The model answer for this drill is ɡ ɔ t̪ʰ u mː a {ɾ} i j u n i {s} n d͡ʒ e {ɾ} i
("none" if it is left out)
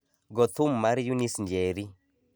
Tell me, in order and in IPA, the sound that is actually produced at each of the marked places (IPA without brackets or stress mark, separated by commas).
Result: ɾ, s, ɾ